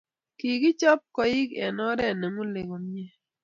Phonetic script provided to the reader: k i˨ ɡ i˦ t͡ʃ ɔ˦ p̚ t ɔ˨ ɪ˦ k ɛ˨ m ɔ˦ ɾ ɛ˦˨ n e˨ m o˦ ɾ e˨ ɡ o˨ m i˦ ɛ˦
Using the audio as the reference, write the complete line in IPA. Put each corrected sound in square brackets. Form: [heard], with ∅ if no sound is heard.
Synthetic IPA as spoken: k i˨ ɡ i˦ t͡ʃ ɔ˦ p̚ [k] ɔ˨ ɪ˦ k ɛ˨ [n] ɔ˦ ɾ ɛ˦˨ n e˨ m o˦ [l] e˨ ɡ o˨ m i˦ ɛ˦